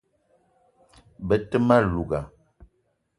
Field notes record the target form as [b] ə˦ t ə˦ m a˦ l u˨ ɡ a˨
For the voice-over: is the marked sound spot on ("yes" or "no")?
yes